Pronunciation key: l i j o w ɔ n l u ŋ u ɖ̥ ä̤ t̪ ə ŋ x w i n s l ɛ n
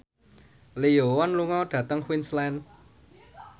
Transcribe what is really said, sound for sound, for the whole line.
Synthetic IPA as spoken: l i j o w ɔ n l u ŋ ɔ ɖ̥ ä̤ t̪ ə ŋ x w i n s l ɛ n